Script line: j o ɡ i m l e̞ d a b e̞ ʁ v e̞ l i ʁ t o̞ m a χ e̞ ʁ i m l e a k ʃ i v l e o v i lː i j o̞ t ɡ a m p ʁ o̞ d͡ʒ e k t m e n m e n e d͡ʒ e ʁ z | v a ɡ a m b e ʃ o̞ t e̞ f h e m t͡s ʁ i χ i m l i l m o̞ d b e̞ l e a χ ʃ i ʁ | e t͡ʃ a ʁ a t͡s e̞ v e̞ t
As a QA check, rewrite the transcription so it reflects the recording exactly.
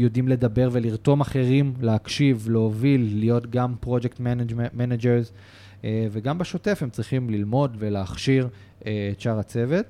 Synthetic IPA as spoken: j o d i m l e̞ d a b e̞ ʁ v e̞ l i ʁ t o̞ m a χ e̞ ʁ i m l e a k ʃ i v l e o v i lː i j o̞ t ɡ a m p ʁ o̞ d͡ʒ e k t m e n m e n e d͡ʒ e ʁ z | v e ɡ a m b e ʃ o̞ t e̞ f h e m t͡s ʁ i χ i m l i l m o̞ d v e̞ l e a χ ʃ i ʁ | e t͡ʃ a ʁ a t͡s e̞ v e̞ t